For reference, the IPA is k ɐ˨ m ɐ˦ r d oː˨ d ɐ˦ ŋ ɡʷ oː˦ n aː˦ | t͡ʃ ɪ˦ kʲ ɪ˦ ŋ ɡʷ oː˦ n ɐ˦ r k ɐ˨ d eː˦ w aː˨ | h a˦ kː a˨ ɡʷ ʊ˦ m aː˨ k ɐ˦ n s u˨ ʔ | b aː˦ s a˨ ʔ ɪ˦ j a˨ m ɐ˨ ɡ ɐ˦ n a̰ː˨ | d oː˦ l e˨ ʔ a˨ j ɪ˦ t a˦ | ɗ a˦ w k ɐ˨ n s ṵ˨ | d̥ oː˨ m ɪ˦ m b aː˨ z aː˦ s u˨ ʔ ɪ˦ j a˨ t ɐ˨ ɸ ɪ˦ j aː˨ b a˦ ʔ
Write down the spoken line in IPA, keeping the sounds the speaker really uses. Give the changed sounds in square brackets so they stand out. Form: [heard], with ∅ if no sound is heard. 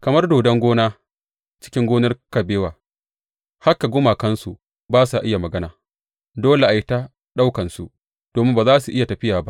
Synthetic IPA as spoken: k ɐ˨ m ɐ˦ r d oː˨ d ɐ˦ ŋ ɡʷ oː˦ n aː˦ | t͡ʃ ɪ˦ kʲ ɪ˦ ŋ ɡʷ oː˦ n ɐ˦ r k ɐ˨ [b] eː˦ w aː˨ | h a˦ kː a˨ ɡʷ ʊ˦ m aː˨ k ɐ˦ n s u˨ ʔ | b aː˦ s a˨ ʔ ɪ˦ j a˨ m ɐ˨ ɡ ɐ˦ n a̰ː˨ | d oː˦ l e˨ ʔ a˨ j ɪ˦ t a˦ | ɗ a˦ w k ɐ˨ n s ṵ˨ | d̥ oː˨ m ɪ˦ m b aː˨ z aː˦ s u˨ ʔ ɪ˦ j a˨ t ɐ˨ ɸ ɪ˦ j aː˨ b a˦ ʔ

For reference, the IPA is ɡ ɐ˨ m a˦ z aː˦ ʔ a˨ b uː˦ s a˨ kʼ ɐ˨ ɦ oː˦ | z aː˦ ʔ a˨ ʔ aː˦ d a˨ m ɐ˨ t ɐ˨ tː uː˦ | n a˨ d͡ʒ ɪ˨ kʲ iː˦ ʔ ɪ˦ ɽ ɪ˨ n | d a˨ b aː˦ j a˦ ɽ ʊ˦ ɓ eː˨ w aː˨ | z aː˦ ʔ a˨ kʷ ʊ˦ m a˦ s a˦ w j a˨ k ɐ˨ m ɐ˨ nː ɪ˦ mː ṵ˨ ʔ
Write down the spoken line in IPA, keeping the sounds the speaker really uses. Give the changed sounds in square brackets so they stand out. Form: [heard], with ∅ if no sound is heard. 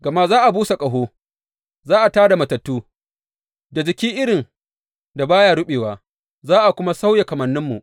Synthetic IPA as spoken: ɡ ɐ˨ m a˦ z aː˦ ʔ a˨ b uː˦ s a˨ kʼ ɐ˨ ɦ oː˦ | z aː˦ ʔ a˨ [t] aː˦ d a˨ m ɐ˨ t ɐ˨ tː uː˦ | [d] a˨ d͡ʒ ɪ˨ kʲ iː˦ ʔ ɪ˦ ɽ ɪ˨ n | d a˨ b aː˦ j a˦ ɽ ʊ˦ ɓ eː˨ w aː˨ | z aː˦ ʔ a˨ kʷ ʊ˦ m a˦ s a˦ w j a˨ k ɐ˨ m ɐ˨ nː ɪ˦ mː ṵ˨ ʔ

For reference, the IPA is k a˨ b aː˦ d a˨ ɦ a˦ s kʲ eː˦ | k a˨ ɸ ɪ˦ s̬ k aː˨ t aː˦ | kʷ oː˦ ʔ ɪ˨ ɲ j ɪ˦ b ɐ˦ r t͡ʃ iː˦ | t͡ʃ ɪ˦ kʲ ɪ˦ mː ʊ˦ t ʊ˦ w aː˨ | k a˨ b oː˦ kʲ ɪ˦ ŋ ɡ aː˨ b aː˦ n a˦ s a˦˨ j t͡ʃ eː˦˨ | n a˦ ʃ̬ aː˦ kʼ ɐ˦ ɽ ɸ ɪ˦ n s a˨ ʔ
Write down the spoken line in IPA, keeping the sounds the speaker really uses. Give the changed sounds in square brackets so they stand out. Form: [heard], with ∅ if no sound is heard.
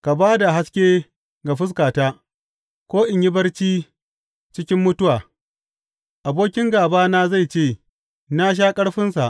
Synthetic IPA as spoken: k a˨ b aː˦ d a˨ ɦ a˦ s kʲ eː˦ | [ɡ] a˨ ɸ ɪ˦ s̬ k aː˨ t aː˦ | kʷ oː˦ ʔ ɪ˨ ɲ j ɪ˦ b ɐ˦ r t͡ʃ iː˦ | t͡ʃ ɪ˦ kʲ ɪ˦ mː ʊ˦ t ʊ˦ w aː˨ | [ʔ] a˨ b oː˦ kʲ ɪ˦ ŋ ɡ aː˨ b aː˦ n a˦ [z] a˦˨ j t͡ʃ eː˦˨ | n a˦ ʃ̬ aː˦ kʼ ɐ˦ ɽ ɸ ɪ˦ n s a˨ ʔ

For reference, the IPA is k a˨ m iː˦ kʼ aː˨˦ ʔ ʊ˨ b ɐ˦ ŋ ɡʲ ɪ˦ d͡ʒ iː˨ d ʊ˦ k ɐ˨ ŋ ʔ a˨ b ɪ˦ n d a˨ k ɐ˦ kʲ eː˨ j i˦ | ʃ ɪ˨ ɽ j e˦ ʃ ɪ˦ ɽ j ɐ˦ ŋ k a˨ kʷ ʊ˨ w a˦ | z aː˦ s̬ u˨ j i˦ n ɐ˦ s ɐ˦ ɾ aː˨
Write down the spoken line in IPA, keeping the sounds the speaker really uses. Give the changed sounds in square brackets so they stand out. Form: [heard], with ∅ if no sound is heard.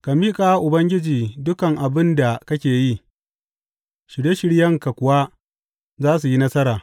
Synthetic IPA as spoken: k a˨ m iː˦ kʼ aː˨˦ ʔ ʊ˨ b ɐ˦ ŋ ɡʲ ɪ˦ d͡ʒ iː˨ d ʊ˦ k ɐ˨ ŋ ʔ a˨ b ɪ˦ n d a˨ k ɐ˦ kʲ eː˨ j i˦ | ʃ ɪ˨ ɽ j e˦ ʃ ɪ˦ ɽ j ɐ˦ ŋ k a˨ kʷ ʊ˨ w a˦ | z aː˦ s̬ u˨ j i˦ n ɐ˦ s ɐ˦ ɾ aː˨

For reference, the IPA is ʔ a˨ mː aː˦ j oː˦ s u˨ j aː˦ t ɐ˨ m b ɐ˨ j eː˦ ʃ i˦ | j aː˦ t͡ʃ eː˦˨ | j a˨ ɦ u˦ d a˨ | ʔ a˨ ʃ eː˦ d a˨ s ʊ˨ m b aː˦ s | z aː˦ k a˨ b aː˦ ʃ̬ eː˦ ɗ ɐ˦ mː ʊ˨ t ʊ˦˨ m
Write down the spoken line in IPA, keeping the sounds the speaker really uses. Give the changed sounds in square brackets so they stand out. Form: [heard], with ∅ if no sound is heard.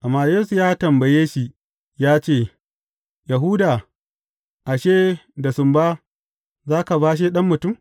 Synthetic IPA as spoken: ʔ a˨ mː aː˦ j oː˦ s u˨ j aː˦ t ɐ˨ m b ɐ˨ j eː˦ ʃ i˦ | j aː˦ t͡ʃ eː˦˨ | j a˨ ɦ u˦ d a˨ | ʔ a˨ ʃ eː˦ d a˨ s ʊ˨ m b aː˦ [∅] | z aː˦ k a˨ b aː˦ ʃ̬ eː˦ ɗ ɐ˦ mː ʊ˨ t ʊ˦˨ m

